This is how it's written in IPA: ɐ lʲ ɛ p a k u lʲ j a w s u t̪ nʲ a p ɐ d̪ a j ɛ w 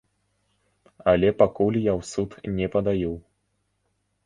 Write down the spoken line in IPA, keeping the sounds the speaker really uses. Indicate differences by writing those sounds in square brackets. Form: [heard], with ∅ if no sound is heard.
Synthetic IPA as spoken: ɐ lʲ ɛ p a k u lʲ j a w s u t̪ nʲ [ɛ] p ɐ d̪ a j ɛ w